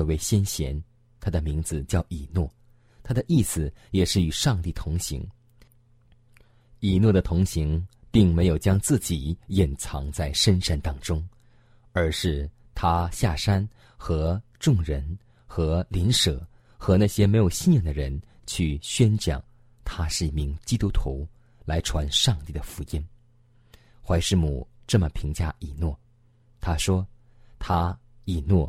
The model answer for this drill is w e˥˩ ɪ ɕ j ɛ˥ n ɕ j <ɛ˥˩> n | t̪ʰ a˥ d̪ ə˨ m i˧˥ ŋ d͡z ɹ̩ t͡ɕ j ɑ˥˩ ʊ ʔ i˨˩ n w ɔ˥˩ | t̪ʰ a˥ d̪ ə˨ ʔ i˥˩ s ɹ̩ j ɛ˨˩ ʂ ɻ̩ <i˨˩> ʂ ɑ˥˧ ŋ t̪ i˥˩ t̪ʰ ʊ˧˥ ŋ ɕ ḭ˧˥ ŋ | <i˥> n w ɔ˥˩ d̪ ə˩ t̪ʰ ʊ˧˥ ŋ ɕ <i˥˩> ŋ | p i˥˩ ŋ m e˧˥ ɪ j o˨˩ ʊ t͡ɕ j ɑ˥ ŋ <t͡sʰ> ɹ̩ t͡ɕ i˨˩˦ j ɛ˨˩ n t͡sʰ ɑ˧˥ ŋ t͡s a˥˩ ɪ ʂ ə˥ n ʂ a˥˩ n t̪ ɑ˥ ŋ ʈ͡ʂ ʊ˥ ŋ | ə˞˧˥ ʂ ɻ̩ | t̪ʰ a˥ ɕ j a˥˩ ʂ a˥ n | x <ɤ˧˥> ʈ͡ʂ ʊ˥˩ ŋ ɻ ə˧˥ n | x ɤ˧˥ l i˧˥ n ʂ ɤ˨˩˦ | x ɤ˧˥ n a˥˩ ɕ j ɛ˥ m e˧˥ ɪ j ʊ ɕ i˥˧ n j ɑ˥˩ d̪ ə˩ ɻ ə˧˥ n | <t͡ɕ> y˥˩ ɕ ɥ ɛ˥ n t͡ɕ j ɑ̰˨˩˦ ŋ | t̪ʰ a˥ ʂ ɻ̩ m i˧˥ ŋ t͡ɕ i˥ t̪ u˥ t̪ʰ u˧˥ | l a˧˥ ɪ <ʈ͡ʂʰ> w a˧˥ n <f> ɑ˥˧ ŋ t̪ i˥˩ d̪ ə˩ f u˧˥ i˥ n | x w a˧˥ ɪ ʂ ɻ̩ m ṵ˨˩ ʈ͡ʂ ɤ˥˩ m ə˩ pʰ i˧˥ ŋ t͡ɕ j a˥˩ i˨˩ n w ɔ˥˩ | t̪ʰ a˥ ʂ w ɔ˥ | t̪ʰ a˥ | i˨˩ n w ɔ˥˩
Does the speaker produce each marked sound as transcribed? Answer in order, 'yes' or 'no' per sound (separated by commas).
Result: no, no, no, no, no, yes, no, yes, no